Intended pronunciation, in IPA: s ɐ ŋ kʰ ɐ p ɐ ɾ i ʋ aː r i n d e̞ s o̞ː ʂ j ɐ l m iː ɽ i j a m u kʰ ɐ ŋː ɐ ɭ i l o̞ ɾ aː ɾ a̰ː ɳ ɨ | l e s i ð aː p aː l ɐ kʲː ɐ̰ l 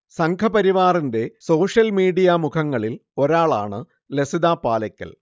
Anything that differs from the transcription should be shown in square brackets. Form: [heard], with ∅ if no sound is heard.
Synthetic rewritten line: s ɐ ŋ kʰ ɐ p ɐ ɾ i ʋ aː r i n d e̞ s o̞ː ʂ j ɐ l m iː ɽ i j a m u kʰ ɐ ŋː ɐ ɭ i l o̞ ɾ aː [ɭ] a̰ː ɳ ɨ | l e s i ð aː p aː l ɐ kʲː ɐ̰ l